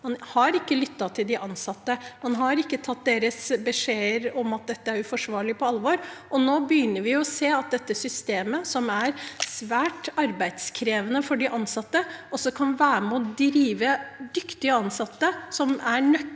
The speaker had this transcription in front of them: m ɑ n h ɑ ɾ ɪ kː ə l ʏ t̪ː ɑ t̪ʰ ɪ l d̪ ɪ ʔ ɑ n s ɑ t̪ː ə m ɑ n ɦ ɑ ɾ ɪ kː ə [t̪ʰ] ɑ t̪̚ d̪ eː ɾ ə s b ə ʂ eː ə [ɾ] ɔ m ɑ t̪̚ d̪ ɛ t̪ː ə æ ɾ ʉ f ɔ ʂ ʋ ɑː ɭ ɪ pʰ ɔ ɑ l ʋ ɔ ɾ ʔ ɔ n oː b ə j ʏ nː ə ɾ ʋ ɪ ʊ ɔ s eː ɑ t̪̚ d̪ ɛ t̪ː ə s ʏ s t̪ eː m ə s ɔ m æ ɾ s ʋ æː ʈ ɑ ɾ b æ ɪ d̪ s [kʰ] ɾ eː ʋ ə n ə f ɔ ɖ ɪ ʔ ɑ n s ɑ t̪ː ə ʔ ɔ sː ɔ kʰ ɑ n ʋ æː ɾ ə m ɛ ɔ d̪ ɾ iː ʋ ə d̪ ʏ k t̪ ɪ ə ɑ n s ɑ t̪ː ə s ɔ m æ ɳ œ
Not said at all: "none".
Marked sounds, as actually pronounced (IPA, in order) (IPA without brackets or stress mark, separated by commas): t̪ʰ, ɾ, kʰ